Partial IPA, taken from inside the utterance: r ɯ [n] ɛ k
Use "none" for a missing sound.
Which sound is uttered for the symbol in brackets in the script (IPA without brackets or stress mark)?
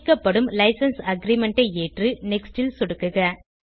n